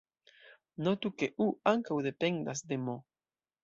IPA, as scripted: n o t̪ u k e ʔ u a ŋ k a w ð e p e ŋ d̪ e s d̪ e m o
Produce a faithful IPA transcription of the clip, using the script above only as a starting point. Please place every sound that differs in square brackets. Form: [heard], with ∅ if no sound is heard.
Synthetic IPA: n o t̪ u k e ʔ u a ŋ k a w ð e p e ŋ d̪ [a] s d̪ e m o